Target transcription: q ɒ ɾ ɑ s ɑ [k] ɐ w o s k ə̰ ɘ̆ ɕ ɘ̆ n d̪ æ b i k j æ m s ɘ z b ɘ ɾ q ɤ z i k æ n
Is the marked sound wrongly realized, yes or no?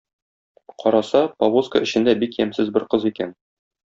yes